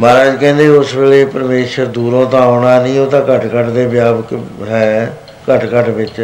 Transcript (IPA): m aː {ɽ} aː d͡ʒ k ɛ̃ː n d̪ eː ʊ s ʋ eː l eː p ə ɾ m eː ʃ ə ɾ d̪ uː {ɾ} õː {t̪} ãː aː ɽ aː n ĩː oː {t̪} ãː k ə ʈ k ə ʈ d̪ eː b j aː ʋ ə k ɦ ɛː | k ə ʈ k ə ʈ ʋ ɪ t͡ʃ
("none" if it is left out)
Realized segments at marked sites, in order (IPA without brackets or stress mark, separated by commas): ɾ, ɾ, t̪, t̪